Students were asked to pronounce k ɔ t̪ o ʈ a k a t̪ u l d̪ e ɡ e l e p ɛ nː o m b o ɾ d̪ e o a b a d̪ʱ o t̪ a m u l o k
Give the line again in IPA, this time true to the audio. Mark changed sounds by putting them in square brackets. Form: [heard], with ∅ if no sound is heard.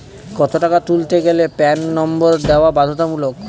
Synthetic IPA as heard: k ɔ t̪ o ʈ a k a t̪ u l [t̪] e ɡ e l e p ɛ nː [ɔ] m b o ɾ d̪ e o a b a d̪ʱ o t̪ a m u l o k